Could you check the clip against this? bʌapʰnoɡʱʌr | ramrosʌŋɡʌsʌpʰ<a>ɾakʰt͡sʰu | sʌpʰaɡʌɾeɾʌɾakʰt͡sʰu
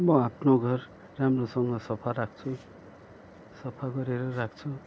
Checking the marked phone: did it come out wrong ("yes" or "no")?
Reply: no